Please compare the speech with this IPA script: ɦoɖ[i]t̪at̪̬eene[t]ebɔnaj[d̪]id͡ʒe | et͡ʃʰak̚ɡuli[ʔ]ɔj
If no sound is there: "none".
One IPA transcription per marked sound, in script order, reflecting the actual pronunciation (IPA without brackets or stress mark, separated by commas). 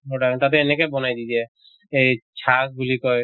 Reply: a, k, d̪, k